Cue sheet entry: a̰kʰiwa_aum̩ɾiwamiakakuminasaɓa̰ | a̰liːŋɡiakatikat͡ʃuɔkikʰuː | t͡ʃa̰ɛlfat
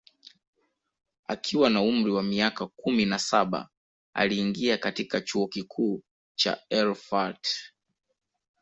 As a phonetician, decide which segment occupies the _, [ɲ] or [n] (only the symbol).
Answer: n